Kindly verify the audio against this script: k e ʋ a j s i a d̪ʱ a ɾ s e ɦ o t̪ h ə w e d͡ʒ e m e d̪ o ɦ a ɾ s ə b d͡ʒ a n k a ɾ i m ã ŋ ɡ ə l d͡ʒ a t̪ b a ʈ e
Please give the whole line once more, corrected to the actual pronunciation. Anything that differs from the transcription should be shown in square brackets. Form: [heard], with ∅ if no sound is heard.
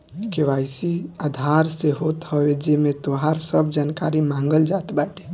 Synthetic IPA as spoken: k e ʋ a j s i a d̪ʱ a ɾ s e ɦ o t̪ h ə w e d͡ʒ e m e [t̪] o ɦ a ɾ s ə b d͡ʒ a n k a ɾ i m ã ŋ ɡ ə l d͡ʒ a t̪ b a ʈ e